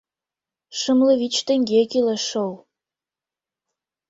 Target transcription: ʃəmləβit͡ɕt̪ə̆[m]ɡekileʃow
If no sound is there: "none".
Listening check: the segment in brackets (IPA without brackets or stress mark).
ŋ